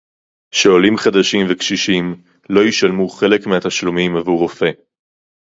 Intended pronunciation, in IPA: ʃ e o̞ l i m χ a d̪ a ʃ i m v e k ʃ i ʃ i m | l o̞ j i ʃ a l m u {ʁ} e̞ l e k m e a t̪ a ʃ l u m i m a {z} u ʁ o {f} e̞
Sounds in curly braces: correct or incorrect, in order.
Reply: incorrect: χ, incorrect: v, correct

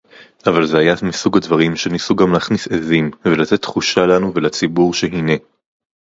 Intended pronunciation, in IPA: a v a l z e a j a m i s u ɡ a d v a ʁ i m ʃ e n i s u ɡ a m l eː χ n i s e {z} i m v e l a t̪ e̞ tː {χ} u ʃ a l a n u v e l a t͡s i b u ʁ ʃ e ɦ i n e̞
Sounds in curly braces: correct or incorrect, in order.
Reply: correct, correct

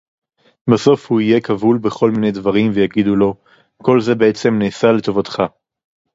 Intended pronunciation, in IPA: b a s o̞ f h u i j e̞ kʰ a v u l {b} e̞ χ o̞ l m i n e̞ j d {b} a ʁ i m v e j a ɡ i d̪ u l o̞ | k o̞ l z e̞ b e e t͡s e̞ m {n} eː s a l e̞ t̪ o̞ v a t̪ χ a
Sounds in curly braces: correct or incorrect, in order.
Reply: correct, incorrect: v, correct

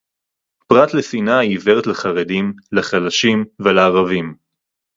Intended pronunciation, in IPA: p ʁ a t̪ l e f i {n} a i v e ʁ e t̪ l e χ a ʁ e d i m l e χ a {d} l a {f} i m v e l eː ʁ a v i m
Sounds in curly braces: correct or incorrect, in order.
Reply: correct, incorrect: none, incorrect: ʃ

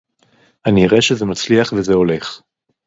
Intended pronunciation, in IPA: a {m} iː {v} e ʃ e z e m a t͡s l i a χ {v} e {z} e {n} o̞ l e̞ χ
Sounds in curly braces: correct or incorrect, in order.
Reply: incorrect: n, incorrect: ʁ, correct, correct, incorrect: none

